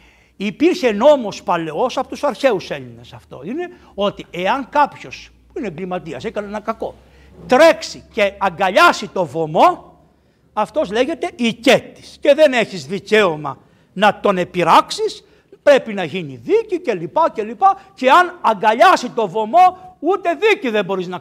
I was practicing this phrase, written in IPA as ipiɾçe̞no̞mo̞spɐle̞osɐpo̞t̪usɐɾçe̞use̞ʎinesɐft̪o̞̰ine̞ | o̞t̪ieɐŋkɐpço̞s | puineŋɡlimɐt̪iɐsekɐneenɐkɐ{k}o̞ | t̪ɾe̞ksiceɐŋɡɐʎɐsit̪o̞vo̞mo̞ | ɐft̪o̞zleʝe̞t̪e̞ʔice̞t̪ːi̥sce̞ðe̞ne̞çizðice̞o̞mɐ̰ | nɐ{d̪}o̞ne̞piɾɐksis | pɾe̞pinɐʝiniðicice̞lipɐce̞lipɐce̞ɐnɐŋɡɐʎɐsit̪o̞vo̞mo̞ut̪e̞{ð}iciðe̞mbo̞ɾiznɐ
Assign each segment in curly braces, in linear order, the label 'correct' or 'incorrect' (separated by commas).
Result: correct, incorrect, correct